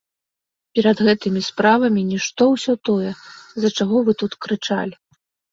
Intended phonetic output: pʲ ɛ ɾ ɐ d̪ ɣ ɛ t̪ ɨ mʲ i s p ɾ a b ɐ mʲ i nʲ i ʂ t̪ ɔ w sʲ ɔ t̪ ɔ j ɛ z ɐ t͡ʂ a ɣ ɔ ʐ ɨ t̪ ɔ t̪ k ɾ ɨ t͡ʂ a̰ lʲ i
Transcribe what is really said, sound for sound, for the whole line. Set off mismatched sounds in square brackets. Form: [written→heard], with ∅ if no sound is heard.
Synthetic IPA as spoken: pʲ ɛ ɾ ɐ d̪ ɣ ɛ t̪ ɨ mʲ i s p ɾ a [b→v] ɐ mʲ i nʲ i ʂ t̪ ɔ w sʲ ɔ t̪ ɔ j ɛ z ɐ t͡ʂ a ɣ ɔ [ʐ→v] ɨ t̪ [ɔ→u] t̪ k ɾ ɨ t͡ʂ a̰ lʲ i